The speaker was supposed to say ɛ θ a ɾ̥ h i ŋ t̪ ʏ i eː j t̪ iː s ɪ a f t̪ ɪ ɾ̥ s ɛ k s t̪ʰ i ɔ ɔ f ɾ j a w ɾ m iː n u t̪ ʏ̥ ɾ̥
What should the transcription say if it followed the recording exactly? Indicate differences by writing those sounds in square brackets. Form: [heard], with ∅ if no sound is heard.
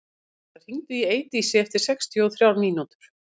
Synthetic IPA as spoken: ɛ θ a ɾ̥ h i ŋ t̪ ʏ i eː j t̪ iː s ɪ [ɛ] f t̪ ɪ ɾ̥ s ɛ k s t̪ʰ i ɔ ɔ [θ] ɾ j a w ɾ m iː n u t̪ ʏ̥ ɾ̥